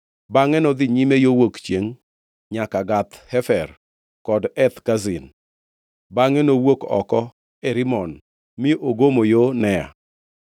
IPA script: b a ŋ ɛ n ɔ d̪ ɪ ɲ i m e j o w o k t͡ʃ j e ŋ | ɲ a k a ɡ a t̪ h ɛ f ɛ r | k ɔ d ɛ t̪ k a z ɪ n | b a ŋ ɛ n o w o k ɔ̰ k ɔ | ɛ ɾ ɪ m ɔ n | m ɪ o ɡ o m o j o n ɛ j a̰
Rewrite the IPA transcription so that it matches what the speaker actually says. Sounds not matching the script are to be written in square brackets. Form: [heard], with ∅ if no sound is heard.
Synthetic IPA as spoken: b a ŋ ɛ n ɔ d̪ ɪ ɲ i m e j o w o k t͡ʃ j e ŋ | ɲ a k a ɡ a t̪ h ɛ f ɛ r | k ɔ d ɛ t̪ k a z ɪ n | b a ŋ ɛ n o w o k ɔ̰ k ɔ | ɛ ɾ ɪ m ɔ n | m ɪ o ɡ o m o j o n ɛ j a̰